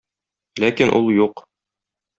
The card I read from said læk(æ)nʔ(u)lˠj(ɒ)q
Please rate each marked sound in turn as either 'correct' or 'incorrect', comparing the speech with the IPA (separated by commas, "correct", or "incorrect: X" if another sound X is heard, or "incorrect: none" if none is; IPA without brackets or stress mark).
incorrect: i, correct, incorrect: u